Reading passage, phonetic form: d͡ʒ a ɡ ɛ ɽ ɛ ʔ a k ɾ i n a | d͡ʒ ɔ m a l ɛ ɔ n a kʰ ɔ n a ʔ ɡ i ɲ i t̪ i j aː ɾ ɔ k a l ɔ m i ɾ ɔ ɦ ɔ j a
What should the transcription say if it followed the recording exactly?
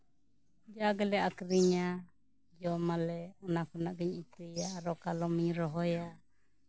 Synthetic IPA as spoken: d͡ʒ a ɡ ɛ l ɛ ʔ a k ɾ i ɲ a | d͡ʒ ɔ m a l ɛ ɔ n a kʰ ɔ n a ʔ ɡ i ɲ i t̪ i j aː ɾ ɔ k a l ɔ m i ɾ ɔ ɦ ɔ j a